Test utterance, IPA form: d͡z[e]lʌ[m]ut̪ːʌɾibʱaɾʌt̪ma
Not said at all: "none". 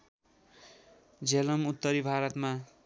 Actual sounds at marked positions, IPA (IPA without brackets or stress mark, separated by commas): e, m